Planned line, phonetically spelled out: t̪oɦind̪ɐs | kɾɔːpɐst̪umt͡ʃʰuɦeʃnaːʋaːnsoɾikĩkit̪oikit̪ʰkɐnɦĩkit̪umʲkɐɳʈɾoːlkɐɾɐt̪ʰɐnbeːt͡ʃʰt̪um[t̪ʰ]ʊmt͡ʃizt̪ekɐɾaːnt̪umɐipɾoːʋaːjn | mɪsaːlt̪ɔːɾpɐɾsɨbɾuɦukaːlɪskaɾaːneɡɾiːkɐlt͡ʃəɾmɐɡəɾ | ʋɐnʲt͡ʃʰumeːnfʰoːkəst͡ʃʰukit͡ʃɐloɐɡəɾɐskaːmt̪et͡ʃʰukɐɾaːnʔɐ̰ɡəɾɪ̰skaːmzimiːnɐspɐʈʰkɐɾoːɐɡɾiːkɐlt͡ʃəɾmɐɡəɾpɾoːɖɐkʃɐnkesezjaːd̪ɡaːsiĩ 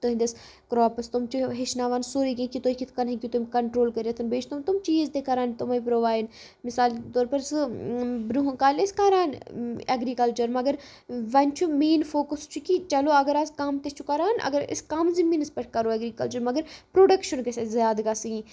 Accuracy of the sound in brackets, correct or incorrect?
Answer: incorrect